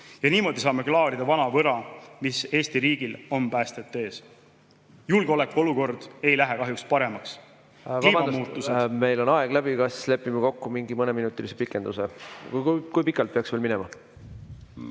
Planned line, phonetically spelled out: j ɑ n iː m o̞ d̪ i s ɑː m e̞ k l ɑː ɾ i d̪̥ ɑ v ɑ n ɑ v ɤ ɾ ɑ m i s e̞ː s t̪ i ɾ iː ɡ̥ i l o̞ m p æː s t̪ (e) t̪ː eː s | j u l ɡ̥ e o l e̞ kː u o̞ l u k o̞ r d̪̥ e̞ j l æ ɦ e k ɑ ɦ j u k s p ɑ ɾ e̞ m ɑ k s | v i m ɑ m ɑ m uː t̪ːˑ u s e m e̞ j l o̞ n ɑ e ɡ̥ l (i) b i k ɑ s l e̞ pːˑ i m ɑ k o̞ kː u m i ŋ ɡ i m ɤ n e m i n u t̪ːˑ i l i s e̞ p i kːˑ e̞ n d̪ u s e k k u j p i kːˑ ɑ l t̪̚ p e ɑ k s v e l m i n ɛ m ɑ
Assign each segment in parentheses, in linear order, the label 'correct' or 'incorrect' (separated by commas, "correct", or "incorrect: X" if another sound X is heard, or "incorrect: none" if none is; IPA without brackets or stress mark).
correct, incorrect: æ